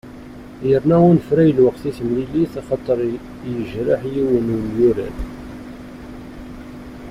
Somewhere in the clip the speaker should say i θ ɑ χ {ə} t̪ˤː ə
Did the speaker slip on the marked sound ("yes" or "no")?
yes